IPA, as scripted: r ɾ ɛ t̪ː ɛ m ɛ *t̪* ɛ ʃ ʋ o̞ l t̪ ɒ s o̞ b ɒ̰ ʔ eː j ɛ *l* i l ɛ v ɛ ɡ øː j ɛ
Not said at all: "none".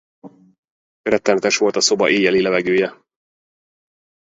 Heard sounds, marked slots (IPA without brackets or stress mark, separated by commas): t̪, l